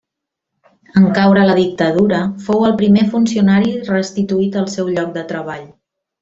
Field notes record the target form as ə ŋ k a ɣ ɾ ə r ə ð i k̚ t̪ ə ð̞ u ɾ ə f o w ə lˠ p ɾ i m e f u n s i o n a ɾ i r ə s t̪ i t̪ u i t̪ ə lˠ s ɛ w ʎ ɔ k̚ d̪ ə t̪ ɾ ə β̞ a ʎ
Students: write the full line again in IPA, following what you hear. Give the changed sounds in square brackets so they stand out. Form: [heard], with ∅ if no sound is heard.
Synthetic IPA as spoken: ə ŋ k a [w] ɾ ə [l] ə ð i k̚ t̪ ə ð̞ u ɾ ə f o w ə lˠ p ɾ i m e f u n s i [u] n a ɾ i r ə s t̪ i t̪ u i t̪ ə lˠ s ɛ w ʎ ɔ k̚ d̪ ə t̪ ɾ ə β̞ a ʎ